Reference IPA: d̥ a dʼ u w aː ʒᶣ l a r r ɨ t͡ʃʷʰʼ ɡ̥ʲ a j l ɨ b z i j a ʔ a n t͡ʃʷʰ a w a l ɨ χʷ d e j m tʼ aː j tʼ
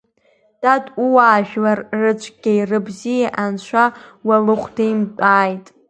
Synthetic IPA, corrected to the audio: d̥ a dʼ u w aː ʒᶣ l a r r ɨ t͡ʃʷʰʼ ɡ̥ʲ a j r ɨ b z i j a ʔ a n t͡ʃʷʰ a w a l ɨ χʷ d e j m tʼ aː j tʼ